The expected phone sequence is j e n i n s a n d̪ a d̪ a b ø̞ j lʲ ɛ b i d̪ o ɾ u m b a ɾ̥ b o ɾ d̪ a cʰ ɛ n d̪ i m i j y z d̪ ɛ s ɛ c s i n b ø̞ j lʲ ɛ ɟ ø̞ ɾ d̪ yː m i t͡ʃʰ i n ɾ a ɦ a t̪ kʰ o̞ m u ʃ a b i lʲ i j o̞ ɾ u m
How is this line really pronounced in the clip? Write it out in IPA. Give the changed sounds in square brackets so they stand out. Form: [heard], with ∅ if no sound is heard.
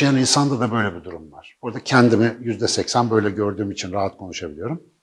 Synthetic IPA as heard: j [a] n i n s a n d̪ a d̪ a b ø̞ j lʲ ɛ b i d̪ [u] ɾ u m [v] a ɾ̥ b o ɾ d̪ a cʰ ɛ n d̪ i m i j y z d̪ ɛ s ɛ c s [æ] n b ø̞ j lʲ ɛ ɟ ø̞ ɾ d̪ yː m i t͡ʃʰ i n ɾ a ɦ a t̪ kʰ o̞ [n] u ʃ a b i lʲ i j o̞ ɾ u m

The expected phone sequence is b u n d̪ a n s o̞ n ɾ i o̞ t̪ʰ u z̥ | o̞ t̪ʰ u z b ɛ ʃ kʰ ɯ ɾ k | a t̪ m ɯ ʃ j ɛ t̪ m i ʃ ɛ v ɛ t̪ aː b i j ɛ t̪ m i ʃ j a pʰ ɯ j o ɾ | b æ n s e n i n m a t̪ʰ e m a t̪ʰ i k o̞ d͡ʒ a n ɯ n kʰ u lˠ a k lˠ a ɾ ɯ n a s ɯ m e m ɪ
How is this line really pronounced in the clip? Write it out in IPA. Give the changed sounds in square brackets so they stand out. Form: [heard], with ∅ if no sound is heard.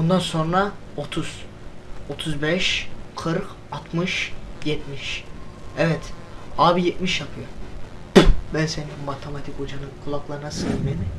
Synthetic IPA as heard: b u n d̪ a n s o̞ n ɾ [a] o̞ t̪ʰ u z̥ | o̞ t̪ʰ u z b ɛ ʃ kʰ ɯ ɾ k | a t̪ m ɯ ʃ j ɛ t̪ m i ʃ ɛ v ɛ t̪ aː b i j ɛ t̪ m i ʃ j a pʰ ɯ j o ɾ | b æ n s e n i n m a t̪ʰ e m a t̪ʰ i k o̞ d͡ʒ a n ɯ n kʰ u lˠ a k lˠ a ɾ ɯ n a s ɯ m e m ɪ

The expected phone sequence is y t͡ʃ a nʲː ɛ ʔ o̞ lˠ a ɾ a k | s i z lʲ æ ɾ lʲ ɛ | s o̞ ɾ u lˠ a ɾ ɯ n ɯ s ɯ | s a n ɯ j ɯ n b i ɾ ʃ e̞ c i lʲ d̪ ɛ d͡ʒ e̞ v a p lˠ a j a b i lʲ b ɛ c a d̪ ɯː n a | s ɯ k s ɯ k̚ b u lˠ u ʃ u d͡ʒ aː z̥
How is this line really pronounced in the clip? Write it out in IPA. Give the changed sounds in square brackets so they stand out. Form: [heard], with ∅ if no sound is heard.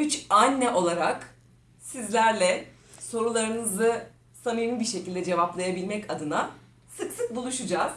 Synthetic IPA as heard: y t͡ʃ a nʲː ɛ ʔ o̞ lˠ a ɾ a k | s i z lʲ æ ɾ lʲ ɛ | s o̞ ɾ u lˠ a ɾ ɯ n ɯ [z] ɯ | s a n ɯ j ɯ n b i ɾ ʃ e̞ c i lʲ d̪ ɛ d͡ʒ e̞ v a p lˠ a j a b i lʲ [m] ɛ c a d̪ [ɯ] n a | s ɯ k s ɯ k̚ b u lˠ u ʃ u d͡ʒ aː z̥

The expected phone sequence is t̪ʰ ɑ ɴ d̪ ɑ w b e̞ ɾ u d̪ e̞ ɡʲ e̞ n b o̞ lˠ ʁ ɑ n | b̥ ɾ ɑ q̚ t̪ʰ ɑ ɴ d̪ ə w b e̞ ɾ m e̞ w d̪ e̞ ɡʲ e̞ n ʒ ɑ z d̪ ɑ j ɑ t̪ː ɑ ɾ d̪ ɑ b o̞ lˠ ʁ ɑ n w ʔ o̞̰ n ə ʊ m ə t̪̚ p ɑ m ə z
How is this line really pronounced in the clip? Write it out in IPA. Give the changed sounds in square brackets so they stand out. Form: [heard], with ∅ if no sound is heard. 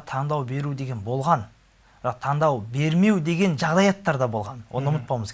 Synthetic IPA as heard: t̪ʰ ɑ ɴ d̪ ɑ w b e̞ ɾ u d̪ e̞ ɡʲ e̞ n b o̞ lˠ ʁ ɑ n | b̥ ɾ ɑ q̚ t̪ʰ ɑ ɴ d̪ [ɑ] w b e̞ ɾ m e̞ w d̪ e̞ ɡʲ e̞ n ʒ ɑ [ʁ] d̪ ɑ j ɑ t̪ː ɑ ɾ d̪ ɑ b o̞ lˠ ʁ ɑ n w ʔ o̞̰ n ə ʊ m ə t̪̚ p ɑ m ə z

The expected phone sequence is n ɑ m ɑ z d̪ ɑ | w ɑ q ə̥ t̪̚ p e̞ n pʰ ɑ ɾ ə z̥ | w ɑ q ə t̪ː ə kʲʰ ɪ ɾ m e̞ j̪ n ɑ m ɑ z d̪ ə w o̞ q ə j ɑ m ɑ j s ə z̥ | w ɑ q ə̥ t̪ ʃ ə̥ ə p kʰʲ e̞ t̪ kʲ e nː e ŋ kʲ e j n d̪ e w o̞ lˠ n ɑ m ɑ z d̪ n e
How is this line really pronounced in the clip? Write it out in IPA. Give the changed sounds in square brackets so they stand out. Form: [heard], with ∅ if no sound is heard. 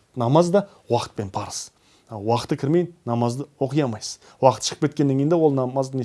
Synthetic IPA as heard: n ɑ m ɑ z d̪ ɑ | w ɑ q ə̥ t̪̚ p e̞ n pʰ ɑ ɾ ə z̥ | w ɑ q ə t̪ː ə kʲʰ ɪ ɾ m e̞ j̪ n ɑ m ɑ z d̪ ə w o̞ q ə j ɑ m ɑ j s ə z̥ | w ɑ q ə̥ t̪ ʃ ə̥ ə p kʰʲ e̞ t̪ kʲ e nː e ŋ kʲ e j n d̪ e w o̞ lˠ n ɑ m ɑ z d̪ n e

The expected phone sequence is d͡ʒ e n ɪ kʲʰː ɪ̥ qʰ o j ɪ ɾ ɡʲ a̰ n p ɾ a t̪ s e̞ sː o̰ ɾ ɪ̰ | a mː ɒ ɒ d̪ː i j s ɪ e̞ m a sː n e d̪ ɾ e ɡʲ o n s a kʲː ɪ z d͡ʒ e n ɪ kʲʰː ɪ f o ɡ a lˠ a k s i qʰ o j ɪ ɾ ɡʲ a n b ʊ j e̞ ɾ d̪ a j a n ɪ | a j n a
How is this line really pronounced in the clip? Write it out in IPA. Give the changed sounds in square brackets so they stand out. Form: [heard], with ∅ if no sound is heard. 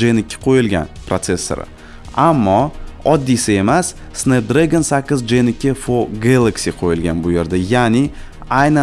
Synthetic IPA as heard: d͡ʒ e n ɪ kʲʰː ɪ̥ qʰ o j ɪ [l] ɡʲ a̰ n p ɾ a t̪ s e̞ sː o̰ ɾ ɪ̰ | a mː ɒ ɒ d̪ː i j s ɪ e̞ m a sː n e d̪ ɾ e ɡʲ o n s a kʲː ɪ z d͡ʒ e n ɪ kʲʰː ɪ f o ɡ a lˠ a k s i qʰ o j ɪ [l] ɡʲ a n b ʊ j e̞ ɾ d̪ a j a n ɪ | a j n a

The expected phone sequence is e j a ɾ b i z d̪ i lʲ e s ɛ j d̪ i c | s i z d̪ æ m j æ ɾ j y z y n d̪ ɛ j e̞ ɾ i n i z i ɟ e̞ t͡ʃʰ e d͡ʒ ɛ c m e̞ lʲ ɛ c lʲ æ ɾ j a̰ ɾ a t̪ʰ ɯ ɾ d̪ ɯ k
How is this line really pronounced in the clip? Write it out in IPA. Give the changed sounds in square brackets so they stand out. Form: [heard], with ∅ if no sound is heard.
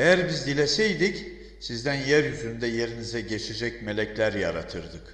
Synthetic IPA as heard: e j [æ] ɾ b i z d̪ i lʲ e s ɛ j d̪ i c | s i z d̪ æ [n] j æ ɾ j y z y n d̪ ɛ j e̞ ɾ i n i z [ɛ] ɟ e̞ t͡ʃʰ e d͡ʒ ɛ c m e̞ lʲ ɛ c lʲ æ ɾ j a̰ ɾ a t̪ʰ ɯ ɾ d̪ ɯ k

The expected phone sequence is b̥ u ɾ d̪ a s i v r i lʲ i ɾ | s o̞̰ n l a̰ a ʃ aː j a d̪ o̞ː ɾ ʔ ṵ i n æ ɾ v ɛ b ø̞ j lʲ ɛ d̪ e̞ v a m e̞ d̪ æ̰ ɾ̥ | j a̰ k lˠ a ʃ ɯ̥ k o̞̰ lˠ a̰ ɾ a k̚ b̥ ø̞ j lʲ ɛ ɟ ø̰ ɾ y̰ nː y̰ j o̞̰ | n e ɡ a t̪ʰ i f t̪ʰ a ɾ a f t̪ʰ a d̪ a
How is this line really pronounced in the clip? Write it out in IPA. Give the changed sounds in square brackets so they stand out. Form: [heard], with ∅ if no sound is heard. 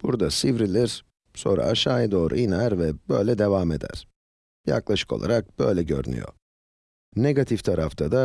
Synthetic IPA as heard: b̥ u ɾ d̪ a s i v [ɾ] i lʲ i ɾ | s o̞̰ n [ɾ] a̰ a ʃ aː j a d̪ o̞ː ɾ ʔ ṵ i n æ ɾ v ɛ b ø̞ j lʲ ɛ d̪ e̞ v a m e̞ d̪ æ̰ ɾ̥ | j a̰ k lˠ a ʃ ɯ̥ k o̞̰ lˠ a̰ ɾ a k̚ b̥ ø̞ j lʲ ɛ ɟ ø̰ ɾ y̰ [n] y̰ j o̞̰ | n e ɡ a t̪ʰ i f t̪ʰ a ɾ a f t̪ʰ a d̪ a

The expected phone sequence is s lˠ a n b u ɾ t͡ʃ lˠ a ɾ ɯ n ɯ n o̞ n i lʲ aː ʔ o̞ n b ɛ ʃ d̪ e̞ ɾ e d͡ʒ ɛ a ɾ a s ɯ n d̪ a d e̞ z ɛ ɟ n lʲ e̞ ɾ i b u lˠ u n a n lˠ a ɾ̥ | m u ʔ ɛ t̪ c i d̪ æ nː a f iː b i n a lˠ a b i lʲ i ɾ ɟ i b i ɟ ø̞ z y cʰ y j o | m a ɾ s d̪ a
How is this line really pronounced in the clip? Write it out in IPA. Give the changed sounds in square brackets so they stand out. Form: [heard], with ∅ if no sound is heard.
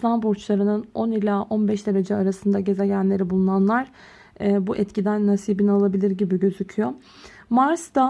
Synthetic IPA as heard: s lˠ a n b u ɾ t͡ʃ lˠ a ɾ ɯ n ɯ n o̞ n i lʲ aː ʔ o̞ n b ɛ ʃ d̪ e̞ ɾ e d͡ʒ ɛ a ɾ a s ɯ n d̪ a [ɟ] e̞ z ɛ ɟ n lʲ e̞ ɾ i b u lˠ u n a n lˠ a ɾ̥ | [b] u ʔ ɛ t̪ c i d̪ æ nː a [s] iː b i n a lˠ a b i lʲ i ɾ ɟ i b i ɟ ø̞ z y cʰ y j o | m a ɾ s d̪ a

